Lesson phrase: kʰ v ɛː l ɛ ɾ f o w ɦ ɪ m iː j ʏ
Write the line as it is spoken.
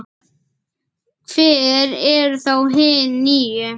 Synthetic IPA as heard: kʰ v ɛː ɾ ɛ ɾ θ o w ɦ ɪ n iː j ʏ